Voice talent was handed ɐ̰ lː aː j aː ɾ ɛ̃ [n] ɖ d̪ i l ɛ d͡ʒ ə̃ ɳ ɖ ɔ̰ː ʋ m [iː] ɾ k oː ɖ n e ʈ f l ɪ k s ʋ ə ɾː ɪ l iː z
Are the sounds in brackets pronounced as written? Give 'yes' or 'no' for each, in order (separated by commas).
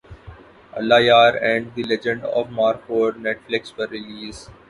no, no